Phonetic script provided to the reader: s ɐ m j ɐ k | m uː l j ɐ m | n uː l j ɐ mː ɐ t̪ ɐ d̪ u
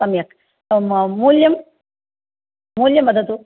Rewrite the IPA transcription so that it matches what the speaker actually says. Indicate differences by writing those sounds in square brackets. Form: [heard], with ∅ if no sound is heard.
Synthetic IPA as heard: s ɐ m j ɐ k | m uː l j ɐ m | [m] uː l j ɐ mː ɐ [d̪] ɐ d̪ u